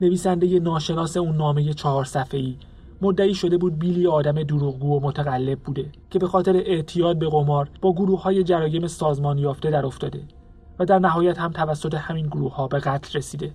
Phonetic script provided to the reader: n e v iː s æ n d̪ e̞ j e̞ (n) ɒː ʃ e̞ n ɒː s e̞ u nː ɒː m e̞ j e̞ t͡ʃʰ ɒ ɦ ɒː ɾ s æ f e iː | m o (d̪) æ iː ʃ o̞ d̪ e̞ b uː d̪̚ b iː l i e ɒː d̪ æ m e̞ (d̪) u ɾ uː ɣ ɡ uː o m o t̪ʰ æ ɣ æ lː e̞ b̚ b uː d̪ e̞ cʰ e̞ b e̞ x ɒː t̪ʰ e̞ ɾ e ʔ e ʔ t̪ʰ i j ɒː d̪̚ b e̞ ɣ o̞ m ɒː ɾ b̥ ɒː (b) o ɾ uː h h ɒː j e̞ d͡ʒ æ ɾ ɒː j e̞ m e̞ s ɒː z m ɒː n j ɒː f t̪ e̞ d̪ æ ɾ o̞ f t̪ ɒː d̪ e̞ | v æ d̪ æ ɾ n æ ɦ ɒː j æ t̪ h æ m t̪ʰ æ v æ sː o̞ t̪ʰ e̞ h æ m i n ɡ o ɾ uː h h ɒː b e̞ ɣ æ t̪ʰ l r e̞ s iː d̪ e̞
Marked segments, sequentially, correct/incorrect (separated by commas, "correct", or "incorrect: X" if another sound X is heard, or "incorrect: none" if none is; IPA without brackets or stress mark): correct, incorrect: d̪ː, correct, incorrect: ɡ